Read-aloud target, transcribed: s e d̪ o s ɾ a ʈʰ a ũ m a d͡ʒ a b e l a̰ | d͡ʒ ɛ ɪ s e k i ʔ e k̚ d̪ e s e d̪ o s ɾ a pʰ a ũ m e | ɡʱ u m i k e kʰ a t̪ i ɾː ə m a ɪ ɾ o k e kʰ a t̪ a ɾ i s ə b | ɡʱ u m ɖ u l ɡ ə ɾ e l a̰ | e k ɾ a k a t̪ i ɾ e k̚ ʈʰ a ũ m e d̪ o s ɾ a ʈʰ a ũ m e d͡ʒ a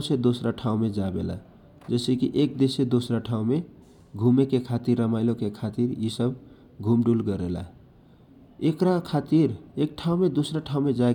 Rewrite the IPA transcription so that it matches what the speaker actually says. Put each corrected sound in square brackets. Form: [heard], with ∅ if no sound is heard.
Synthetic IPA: s e d̪ o s ɾ a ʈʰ a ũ m [e] d͡ʒ a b e l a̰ | d͡ʒ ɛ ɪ s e k i ʔ e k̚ d̪ e s e d̪ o s ɾ a [ʈʰ] a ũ m e | ɡʱ u m [e] k e kʰ a t̪ i ɾː ə m a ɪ [l] o k e kʰ a t̪ [i] ɾ i s ə b | ɡʱ u m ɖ u l ɡ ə ɾ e l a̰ | e k ɾ a [kʰ] a t̪ i ɾ e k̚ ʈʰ a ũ m e d̪ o s ɾ a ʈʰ a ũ m e d͡ʒ a